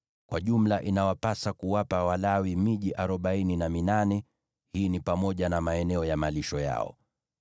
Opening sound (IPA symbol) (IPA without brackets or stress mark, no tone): k